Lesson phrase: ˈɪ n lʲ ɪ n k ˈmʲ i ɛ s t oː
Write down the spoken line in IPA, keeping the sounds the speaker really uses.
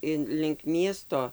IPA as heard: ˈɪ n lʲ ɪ ŋ k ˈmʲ i ɛ s t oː